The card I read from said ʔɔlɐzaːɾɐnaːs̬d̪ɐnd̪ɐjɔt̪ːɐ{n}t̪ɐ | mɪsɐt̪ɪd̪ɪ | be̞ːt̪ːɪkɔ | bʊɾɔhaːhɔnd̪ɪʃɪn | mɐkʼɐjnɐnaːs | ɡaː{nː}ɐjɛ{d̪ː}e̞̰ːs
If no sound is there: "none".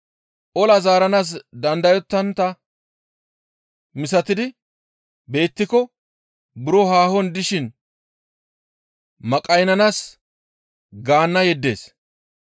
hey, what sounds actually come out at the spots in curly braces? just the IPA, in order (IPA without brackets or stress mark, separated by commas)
n, nː, d̪ː